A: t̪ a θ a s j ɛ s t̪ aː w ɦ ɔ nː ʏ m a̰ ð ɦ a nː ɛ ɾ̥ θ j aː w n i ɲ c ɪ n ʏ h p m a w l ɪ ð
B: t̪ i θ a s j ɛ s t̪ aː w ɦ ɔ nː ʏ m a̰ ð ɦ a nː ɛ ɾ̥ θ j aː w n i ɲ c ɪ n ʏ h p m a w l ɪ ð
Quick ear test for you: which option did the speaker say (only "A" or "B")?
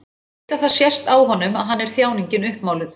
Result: A